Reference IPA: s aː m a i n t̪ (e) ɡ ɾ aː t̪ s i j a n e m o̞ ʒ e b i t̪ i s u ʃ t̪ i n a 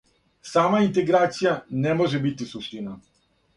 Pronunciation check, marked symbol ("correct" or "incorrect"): correct